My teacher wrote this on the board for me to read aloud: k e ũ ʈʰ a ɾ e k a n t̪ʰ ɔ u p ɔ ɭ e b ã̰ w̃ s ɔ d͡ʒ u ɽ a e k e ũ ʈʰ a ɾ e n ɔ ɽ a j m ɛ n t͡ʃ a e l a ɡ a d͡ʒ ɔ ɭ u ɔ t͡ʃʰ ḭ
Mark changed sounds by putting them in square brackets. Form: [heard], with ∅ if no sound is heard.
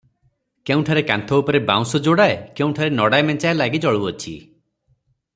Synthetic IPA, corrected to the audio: k e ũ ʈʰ a ɾ e k a n t̪ʰ ɔ u p ɔ [ɾ] e b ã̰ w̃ s ɔ d͡ʒ [o] ɽ a e k e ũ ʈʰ a ɾ e n ɔ ɽ a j m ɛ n t͡ʃ a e l a ɡ [i] d͡ʒ ɔ ɭ u ɔ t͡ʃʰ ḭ